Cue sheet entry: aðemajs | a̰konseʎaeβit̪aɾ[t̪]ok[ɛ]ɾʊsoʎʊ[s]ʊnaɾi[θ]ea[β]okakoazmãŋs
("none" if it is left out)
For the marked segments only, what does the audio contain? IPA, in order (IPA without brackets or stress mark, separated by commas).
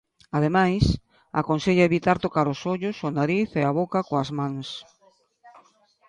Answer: t̪, a, s, θ, β